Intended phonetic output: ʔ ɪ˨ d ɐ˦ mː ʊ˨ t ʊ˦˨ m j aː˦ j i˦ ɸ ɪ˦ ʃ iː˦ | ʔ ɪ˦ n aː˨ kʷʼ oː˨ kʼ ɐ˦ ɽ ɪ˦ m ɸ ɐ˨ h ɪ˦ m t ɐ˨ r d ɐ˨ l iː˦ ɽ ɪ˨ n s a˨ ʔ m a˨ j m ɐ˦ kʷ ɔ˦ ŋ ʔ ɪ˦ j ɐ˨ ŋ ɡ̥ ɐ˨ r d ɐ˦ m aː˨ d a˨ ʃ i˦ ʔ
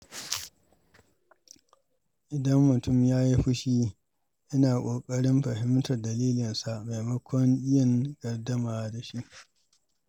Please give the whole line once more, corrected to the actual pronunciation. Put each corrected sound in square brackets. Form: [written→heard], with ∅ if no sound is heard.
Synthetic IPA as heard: ʔ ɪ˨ d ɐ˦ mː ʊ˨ t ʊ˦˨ m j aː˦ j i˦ ɸ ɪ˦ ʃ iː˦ | ʔ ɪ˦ n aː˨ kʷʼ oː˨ kʼ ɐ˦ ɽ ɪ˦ m ɸ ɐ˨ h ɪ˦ m t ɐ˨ r d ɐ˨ l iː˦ [ɽ→l] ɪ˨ n s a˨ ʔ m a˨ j m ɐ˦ kʷ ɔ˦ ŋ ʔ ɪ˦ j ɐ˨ ŋ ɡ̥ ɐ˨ r d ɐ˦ m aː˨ d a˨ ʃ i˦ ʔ